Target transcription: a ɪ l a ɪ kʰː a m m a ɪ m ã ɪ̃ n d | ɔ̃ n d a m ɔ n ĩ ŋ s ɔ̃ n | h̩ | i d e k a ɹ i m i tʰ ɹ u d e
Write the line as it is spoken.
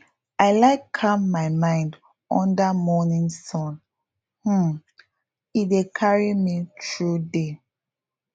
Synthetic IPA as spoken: a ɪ l a ɪ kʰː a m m a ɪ m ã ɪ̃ n d | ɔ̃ n d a m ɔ n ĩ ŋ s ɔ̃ n | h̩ | i d e kʰ a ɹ i m i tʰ ɹ u d e